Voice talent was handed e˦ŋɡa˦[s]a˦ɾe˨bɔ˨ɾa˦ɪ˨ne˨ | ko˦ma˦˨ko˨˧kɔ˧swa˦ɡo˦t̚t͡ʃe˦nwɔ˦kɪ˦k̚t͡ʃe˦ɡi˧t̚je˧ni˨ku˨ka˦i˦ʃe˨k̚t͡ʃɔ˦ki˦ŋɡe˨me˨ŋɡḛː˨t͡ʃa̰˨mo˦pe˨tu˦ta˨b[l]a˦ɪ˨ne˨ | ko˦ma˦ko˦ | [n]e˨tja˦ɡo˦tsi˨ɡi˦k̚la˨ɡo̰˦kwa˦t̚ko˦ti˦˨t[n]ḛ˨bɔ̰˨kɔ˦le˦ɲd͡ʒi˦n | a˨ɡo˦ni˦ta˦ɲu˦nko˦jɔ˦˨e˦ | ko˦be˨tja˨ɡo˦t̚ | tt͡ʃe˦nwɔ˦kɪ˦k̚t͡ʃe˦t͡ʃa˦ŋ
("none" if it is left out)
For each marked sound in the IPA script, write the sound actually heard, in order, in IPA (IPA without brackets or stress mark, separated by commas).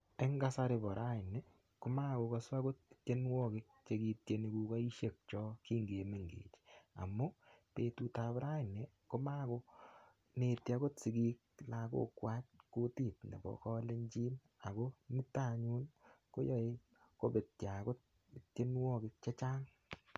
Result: s, ɾ, n, n